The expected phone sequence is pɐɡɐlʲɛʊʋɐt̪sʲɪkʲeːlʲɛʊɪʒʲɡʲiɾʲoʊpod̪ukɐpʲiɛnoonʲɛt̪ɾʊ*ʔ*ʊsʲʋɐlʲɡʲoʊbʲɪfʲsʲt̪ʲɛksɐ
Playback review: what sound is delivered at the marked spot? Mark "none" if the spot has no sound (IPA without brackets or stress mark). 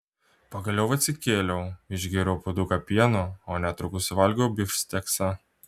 k